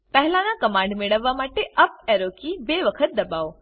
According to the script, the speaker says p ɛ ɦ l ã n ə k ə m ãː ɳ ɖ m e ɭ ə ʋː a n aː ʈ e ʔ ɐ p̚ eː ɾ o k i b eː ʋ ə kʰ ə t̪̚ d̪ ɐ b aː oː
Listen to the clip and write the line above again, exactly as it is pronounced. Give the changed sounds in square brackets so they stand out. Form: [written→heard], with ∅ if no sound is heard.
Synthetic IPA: p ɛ ɦ l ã n [ə→a] k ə m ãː ɳ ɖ m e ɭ ə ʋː a [n→m] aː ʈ e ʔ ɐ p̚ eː ɾ o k i b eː ʋ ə kʰ ə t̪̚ d̪ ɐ b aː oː